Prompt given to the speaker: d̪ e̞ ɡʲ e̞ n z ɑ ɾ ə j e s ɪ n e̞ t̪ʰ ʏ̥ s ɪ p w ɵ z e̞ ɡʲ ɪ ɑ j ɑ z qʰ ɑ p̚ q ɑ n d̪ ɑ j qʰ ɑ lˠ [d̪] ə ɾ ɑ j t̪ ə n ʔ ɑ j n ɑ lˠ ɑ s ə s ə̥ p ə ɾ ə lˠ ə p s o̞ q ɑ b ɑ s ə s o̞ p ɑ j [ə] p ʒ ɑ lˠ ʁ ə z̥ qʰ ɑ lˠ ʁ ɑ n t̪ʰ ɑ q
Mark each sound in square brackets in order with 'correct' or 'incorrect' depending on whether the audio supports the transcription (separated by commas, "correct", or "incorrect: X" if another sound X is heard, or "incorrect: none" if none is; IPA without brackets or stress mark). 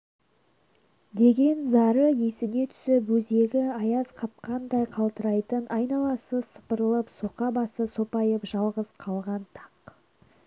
incorrect: t̪, correct